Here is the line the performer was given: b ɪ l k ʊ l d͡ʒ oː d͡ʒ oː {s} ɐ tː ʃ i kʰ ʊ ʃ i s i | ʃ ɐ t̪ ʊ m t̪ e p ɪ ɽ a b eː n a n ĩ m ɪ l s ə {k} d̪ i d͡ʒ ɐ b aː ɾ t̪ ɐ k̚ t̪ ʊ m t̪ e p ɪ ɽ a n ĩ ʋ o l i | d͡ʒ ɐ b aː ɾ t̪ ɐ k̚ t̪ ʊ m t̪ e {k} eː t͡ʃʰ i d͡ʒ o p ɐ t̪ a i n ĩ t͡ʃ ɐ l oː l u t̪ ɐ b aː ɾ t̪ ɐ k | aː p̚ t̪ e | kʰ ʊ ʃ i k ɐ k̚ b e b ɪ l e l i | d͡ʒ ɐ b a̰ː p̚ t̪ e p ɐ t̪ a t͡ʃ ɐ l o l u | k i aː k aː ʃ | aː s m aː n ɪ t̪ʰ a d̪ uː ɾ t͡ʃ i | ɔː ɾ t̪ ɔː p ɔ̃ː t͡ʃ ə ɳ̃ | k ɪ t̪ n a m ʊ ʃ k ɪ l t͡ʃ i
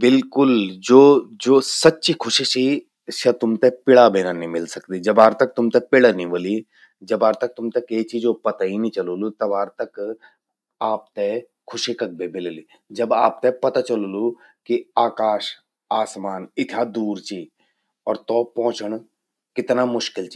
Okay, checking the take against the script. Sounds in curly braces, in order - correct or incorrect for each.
correct, correct, correct

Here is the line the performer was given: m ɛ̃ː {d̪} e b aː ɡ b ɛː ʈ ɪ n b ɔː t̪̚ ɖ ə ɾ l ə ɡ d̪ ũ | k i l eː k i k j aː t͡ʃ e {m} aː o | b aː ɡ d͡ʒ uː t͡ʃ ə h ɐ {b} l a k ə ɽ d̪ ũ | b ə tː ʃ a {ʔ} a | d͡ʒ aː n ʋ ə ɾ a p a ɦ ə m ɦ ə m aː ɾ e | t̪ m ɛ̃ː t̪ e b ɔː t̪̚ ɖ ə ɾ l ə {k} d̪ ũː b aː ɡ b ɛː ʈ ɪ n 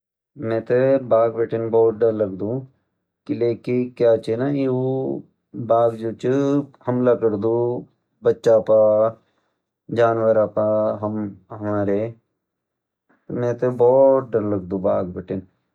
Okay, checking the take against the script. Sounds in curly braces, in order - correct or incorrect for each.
incorrect, incorrect, incorrect, incorrect, incorrect

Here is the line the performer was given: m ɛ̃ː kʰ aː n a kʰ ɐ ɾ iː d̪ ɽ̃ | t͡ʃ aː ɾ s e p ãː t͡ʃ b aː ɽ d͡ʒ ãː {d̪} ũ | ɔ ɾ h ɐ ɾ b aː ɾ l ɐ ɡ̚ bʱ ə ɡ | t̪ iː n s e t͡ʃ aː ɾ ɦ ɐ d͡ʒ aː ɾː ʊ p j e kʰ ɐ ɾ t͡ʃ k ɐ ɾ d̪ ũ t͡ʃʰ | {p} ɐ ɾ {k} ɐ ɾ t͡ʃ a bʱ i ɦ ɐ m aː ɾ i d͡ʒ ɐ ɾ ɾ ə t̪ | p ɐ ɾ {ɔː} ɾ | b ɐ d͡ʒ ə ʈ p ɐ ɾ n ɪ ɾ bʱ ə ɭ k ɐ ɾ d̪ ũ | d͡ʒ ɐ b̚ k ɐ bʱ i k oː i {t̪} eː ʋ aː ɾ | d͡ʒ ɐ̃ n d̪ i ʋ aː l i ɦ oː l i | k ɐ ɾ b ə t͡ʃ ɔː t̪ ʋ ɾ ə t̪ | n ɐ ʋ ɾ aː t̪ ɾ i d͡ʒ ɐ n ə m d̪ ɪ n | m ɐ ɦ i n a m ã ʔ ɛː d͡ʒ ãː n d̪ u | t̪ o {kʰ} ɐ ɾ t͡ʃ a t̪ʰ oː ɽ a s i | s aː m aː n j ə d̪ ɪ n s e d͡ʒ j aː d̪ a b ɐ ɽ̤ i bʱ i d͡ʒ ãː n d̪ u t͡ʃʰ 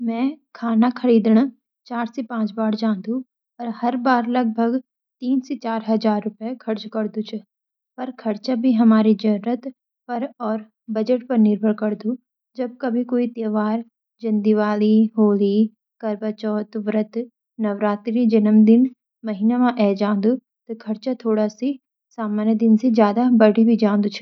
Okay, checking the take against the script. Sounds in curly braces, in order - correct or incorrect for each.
correct, correct, incorrect, correct, correct, correct

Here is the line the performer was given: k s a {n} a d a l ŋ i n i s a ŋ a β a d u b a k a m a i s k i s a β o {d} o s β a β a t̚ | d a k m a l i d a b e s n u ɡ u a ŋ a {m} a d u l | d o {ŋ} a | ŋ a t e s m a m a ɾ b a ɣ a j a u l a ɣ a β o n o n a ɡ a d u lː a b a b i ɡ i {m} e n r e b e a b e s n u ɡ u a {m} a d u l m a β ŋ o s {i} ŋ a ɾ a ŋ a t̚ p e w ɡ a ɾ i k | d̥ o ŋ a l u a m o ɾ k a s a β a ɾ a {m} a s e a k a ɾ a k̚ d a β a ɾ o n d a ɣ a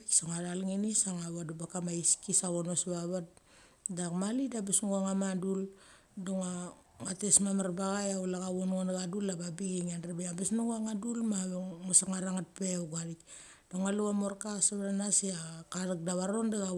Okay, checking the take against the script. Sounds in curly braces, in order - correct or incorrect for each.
incorrect, incorrect, correct, correct, incorrect, incorrect, incorrect, incorrect

